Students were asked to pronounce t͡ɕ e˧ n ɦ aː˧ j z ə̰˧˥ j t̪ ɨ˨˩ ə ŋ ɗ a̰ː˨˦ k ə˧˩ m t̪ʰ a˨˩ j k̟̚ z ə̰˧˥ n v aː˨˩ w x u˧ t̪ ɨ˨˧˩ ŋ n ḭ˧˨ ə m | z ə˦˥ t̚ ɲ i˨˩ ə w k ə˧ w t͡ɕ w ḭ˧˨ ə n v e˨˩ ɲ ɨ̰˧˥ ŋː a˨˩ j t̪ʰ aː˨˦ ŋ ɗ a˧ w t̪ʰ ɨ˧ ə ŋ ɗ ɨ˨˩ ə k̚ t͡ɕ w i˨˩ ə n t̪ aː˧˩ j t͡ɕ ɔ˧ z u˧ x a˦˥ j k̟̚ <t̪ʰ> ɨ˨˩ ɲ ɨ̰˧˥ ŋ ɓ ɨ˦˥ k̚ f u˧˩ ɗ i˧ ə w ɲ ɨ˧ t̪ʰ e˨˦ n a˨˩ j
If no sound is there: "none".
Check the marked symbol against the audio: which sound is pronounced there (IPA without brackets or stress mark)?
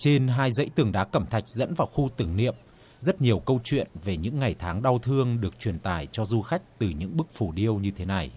t̪